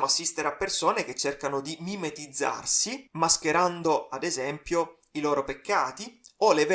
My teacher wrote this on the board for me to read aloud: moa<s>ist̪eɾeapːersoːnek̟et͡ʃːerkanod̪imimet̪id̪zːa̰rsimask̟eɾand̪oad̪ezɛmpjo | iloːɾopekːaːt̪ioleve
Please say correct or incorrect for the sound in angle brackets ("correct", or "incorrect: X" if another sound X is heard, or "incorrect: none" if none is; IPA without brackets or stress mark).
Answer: incorrect: sː